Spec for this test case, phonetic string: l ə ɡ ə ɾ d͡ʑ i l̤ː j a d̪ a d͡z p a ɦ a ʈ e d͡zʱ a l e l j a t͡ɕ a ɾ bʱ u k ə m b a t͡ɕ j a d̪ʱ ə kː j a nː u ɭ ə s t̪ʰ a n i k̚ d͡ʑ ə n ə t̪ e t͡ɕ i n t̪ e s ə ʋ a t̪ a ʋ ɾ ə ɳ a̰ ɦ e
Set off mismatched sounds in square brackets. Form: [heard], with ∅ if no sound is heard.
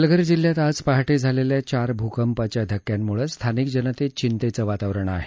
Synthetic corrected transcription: l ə ɡ ə ɾ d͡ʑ i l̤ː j a [t̪] a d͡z p a ɦ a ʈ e d͡zʱ a l e l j a t͡ɕ a ɾ bʱ u k ə m [p] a t͡ɕ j a d̪ʱ ə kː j a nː u ɭ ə s t̪ʰ a n i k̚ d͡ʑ ə n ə t̪ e t͡ɕ i n t̪ e [t͡s] ə ʋ a t̪ a ʋ ɾ ə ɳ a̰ ɦ e